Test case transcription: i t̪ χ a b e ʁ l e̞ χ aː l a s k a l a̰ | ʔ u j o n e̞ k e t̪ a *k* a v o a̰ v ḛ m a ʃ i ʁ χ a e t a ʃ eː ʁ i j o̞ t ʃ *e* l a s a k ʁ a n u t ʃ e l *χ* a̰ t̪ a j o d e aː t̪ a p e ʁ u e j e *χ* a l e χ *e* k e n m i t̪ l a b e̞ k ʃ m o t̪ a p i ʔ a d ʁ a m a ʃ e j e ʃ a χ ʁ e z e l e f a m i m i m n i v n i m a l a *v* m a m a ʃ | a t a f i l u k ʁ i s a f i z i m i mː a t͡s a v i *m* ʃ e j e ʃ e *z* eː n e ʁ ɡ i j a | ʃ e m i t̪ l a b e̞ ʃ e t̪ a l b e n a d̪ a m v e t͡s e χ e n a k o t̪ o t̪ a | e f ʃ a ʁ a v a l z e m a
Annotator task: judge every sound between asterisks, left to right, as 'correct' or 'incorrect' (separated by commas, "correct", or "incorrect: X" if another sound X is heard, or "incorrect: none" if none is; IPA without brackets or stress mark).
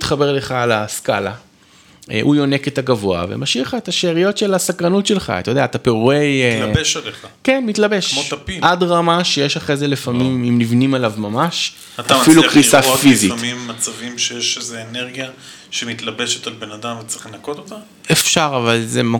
incorrect: ɡ, correct, correct, incorrect: ʃ, incorrect: a, correct, correct, correct